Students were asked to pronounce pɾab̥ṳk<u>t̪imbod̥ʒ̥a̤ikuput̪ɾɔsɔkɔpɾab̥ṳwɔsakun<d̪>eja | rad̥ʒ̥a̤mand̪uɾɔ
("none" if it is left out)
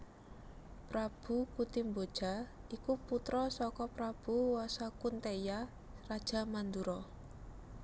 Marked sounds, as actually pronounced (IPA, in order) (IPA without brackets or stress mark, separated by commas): u, t̪